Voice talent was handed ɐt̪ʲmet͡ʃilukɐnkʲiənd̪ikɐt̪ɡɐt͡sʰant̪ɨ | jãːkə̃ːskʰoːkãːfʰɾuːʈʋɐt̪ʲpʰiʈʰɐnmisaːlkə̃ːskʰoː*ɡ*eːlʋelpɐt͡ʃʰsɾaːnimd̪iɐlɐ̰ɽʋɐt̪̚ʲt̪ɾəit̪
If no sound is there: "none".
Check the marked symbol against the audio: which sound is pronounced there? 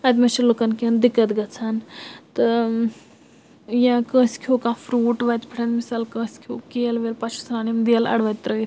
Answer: k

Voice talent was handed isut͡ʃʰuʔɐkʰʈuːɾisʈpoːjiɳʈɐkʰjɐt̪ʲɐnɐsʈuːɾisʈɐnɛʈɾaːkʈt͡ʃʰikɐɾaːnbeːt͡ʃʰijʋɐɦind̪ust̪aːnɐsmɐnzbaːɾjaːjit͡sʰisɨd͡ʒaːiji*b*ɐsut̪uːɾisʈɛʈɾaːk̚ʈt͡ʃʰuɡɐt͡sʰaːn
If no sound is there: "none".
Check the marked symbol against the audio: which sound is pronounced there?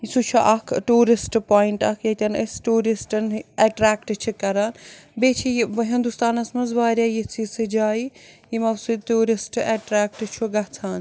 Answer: m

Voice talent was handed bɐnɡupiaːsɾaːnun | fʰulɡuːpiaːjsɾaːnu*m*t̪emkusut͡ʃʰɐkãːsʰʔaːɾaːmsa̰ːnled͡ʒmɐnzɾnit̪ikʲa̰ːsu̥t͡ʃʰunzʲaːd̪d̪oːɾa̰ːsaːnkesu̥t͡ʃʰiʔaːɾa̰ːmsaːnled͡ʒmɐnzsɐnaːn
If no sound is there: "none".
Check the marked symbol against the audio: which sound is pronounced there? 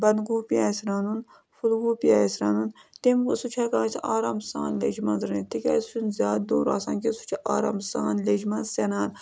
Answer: n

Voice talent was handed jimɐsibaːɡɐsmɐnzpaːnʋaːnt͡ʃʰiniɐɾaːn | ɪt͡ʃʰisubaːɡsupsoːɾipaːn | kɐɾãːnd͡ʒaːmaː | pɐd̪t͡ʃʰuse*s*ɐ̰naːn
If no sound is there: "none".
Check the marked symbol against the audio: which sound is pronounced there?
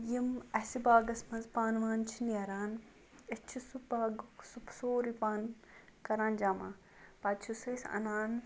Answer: s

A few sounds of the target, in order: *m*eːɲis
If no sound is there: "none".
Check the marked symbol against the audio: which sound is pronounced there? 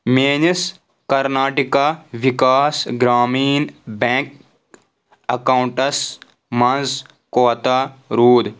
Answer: m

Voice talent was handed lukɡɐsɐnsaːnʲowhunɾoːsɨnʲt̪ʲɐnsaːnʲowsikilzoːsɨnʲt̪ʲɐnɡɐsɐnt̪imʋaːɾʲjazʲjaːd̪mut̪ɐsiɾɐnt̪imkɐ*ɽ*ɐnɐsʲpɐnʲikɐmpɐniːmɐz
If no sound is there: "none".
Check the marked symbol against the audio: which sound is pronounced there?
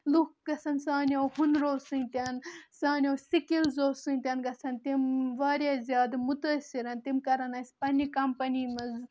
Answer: ɾ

